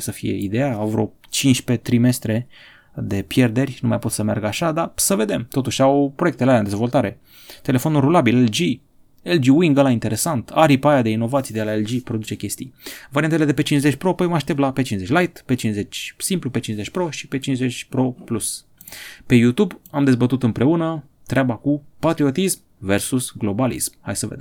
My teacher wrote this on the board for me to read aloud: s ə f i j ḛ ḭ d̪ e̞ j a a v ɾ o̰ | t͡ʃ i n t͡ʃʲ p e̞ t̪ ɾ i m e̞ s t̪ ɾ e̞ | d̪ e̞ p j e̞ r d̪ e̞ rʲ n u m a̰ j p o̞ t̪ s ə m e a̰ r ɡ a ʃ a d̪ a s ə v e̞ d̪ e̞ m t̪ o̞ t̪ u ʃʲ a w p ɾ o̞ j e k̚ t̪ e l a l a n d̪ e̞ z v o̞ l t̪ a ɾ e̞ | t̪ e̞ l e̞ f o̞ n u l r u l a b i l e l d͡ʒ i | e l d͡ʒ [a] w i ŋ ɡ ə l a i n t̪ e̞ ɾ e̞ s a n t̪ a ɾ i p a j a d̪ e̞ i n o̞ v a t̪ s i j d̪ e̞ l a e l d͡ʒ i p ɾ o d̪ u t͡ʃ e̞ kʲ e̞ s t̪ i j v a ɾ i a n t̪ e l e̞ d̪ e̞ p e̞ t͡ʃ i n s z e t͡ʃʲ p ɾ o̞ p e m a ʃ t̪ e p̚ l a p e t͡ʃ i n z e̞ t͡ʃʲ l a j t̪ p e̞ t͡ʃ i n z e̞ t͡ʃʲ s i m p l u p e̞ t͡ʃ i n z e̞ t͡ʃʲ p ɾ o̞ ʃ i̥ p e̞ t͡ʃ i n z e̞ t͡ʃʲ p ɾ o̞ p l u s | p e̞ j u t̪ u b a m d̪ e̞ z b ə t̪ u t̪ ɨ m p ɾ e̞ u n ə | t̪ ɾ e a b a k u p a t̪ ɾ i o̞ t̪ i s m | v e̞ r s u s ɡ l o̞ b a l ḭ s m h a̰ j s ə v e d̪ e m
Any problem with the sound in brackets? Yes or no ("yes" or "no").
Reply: yes